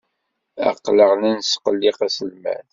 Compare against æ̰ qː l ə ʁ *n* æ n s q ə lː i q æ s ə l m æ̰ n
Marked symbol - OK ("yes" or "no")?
yes